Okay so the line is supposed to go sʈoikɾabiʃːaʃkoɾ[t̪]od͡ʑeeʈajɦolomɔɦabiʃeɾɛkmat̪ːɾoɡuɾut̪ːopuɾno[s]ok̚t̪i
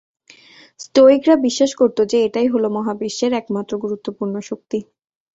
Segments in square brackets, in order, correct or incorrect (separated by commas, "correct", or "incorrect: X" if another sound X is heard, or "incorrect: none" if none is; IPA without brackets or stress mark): correct, incorrect: ʃ